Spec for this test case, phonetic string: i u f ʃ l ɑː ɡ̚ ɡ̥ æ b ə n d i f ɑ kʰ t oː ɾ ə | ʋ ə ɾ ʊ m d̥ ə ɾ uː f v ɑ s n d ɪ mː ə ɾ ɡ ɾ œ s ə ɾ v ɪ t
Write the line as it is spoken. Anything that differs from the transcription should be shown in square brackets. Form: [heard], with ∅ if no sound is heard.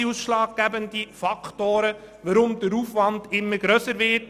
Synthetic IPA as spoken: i u [s] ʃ l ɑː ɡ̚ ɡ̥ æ b ə n d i f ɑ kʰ t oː ɾ ə | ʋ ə ɾ ʊ m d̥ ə ɾ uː f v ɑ [∅] n d ɪ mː ə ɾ ɡ ɾ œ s ə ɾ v ɪ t